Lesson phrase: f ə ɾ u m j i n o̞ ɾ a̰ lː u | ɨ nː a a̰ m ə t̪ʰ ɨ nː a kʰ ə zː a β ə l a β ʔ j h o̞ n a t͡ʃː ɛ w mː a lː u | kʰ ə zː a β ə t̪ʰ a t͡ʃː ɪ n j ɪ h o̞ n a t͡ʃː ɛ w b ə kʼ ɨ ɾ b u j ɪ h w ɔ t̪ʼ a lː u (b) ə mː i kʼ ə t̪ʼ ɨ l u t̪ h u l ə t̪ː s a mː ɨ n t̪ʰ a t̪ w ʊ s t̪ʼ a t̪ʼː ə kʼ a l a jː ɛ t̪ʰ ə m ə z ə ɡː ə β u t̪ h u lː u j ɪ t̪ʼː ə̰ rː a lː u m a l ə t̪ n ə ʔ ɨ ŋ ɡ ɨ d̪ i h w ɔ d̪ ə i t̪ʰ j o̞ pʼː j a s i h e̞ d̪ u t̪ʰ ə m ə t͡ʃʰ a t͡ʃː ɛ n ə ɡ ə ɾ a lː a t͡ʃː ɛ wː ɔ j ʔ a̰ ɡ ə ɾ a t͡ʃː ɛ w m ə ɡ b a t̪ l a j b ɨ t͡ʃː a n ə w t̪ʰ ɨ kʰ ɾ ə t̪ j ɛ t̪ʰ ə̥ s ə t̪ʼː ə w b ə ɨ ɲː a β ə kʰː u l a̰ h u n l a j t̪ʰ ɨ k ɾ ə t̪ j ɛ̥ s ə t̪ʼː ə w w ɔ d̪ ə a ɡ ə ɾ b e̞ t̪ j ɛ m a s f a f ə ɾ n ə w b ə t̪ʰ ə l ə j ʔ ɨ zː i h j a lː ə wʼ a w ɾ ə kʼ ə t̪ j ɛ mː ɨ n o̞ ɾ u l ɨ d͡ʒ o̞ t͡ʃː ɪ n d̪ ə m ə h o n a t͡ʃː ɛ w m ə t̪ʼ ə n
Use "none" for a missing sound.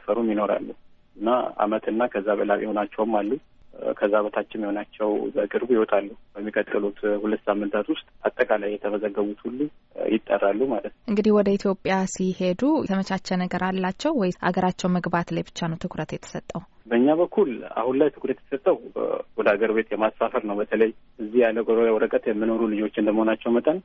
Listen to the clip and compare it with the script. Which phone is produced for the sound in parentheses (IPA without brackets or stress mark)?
b